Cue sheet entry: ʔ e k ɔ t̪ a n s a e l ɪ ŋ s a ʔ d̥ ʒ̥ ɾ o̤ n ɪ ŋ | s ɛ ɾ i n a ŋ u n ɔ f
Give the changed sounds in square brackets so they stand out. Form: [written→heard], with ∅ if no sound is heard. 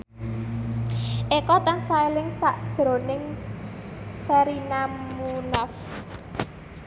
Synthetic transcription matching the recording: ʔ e k ɔ t̪ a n s a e l ɪ ŋ s a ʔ d̥ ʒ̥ ɾ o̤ n ɪ ŋ | s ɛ ɾ i n a [ŋ→m] u n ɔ f